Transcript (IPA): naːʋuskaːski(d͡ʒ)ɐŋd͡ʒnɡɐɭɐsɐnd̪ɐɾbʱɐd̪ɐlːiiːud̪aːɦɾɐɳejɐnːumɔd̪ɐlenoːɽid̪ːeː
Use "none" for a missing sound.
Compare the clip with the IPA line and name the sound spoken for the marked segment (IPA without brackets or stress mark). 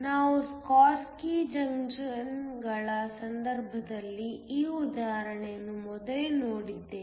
d͡ʒ